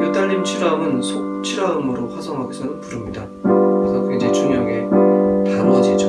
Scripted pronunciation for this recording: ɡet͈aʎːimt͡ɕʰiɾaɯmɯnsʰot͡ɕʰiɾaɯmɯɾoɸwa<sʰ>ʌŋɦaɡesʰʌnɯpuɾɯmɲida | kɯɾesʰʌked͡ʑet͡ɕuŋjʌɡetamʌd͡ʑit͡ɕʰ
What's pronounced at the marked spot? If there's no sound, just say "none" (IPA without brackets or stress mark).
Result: sʰ